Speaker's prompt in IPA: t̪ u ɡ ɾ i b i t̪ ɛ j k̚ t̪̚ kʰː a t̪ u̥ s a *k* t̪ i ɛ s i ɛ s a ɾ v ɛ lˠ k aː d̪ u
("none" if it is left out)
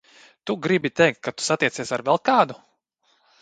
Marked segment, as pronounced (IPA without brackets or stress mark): none